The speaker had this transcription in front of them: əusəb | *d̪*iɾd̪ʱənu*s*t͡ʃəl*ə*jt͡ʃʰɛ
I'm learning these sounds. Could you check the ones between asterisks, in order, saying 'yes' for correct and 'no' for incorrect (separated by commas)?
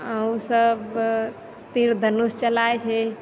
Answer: no, yes, no